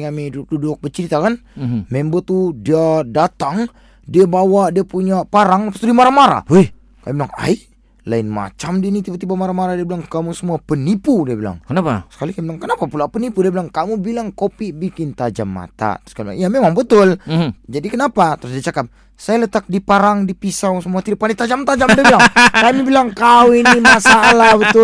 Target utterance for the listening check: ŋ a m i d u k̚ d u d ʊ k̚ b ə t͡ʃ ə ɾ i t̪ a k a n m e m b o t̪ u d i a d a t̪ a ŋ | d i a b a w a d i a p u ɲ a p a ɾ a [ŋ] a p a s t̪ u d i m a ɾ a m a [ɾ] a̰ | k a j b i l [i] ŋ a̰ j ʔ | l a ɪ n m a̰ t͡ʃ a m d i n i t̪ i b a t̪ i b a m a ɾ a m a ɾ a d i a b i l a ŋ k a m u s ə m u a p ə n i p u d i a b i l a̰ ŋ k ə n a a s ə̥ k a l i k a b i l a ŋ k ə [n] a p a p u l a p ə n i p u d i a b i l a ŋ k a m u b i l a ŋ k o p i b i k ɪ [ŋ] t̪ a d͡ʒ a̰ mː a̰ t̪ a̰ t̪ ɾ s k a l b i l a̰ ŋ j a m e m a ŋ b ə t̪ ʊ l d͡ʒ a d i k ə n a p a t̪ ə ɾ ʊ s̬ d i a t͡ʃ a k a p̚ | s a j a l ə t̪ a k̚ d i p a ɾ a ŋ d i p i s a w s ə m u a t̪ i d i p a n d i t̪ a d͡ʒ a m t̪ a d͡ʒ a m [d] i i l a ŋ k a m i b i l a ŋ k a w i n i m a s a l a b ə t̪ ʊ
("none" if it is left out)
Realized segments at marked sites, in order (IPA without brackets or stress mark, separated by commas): ŋ, ɾ, a, n, n, d